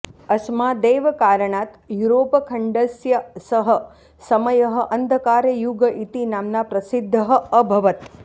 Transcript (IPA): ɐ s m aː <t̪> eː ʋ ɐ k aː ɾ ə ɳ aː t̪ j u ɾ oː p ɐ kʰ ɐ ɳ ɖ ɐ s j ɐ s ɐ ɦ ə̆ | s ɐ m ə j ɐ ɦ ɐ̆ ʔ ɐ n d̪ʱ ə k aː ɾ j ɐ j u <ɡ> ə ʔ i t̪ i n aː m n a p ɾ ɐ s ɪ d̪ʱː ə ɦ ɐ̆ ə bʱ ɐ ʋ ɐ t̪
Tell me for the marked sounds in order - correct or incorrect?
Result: incorrect, correct

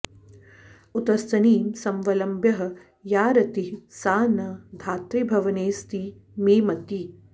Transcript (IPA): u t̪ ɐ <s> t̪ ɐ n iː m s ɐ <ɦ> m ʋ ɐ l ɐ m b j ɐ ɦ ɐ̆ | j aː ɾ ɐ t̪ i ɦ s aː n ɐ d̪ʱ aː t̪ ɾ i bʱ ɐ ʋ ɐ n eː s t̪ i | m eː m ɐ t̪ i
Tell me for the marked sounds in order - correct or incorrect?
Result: correct, incorrect

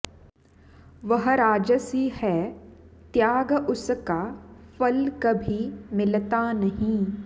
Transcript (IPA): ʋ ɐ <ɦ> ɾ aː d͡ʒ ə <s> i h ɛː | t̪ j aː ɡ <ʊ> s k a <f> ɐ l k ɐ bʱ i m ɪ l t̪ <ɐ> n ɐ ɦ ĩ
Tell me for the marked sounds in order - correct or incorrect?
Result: correct, correct, correct, correct, incorrect

